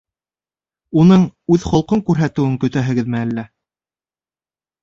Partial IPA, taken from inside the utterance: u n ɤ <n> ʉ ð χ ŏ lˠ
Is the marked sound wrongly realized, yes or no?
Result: yes